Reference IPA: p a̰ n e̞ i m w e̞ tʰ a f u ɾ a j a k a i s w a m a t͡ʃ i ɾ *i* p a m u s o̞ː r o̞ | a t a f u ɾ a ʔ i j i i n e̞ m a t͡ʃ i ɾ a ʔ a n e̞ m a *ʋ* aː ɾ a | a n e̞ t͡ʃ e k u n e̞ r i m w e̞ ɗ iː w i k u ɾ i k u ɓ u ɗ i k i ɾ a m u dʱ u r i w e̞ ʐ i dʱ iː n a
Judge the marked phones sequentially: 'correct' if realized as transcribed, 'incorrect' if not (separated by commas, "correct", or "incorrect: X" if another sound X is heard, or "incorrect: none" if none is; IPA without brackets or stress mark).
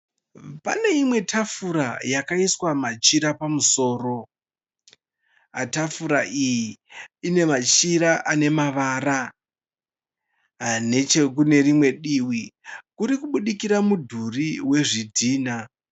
incorrect: a, correct